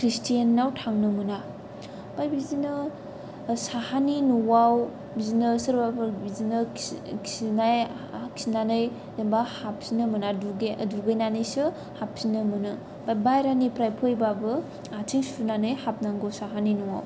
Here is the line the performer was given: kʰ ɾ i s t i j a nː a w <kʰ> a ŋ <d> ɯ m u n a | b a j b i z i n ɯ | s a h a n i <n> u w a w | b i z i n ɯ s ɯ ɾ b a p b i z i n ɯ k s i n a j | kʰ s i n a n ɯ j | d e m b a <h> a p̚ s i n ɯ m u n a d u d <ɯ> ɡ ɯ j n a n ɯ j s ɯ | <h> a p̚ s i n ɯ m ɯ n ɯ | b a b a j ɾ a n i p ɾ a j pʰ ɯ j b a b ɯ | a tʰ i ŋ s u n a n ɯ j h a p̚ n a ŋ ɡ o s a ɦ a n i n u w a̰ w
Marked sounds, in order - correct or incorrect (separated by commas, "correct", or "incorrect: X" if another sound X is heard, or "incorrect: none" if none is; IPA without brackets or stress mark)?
incorrect: tʰ, incorrect: n, correct, correct, incorrect: u, correct